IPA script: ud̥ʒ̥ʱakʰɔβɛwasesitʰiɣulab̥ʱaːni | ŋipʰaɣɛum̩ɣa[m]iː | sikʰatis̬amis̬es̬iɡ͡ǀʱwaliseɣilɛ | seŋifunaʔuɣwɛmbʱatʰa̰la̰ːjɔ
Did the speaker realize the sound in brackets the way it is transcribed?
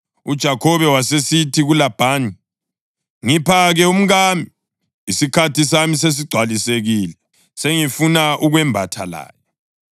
yes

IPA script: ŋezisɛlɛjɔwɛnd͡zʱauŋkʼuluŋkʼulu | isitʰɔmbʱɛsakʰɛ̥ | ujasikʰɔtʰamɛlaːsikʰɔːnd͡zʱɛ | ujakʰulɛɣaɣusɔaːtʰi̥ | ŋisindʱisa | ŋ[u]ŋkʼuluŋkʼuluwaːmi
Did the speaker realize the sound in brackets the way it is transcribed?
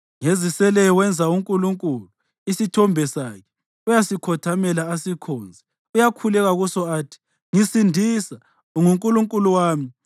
yes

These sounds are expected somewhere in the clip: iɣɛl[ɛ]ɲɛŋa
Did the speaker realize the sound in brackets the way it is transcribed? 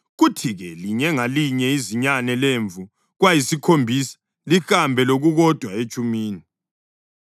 no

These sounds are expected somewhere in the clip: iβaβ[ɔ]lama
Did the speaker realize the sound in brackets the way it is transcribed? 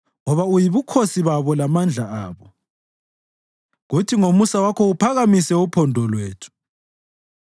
yes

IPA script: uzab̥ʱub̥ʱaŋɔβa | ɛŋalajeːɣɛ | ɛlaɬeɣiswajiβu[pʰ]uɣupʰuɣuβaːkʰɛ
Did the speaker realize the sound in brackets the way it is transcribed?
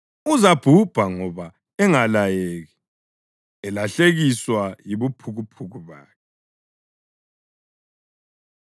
yes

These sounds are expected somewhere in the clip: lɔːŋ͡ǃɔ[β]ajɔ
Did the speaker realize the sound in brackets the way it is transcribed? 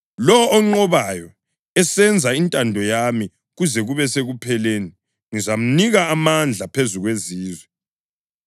yes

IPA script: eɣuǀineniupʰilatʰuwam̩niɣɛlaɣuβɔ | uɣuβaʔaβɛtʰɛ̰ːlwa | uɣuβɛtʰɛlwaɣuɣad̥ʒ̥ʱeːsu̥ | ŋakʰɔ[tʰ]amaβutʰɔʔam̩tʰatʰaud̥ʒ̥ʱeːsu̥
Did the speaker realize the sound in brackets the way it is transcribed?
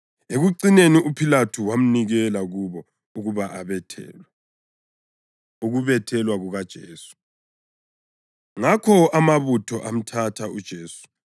no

